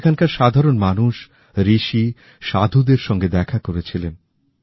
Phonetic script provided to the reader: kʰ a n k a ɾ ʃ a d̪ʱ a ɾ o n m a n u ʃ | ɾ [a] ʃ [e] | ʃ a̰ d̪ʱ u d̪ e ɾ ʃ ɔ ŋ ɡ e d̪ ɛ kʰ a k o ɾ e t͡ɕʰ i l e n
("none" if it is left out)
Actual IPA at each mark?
i, i

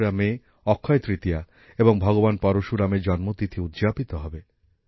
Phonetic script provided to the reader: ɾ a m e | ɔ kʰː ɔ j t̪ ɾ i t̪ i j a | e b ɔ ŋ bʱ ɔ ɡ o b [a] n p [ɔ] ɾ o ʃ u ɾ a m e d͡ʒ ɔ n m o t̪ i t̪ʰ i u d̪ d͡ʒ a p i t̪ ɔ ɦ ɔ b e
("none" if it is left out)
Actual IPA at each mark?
a, ɔ

